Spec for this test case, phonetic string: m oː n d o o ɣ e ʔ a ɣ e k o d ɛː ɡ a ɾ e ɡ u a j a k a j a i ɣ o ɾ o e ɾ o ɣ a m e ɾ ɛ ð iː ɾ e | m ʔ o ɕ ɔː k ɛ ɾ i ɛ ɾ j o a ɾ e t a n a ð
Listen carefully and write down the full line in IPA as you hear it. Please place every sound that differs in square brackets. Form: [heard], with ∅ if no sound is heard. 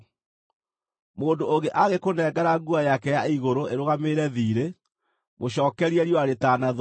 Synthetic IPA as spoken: m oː n d o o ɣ e ʔ a ɣ e k o [n] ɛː ɡ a ɾ [a] ɡ u a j a k [ɛ] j a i ɣ o ɾ o e ɾ o ɣ a m e ɾ ɛ ð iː ɾ e | m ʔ o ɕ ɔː k ɛ ɾ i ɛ ɾ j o a ɾ e t a n a ð